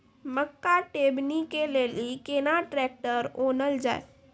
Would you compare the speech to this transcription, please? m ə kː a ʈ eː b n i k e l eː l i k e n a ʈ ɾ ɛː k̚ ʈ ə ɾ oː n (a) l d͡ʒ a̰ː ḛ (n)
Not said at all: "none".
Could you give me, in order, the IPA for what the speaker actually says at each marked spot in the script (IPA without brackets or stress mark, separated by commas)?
ə, none